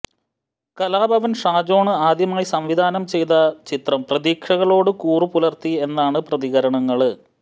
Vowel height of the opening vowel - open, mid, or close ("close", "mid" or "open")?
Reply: open